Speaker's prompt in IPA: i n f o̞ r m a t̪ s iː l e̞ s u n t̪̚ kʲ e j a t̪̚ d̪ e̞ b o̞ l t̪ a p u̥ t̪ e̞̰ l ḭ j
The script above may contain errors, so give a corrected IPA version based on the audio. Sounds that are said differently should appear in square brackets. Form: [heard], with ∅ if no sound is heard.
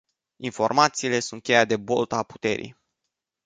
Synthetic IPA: i n f o̞ r m a t̪ s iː l e̞ s u n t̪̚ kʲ e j a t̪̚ d̪ e̞ b o̞ l t̪ a p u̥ t̪ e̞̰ [ɾ] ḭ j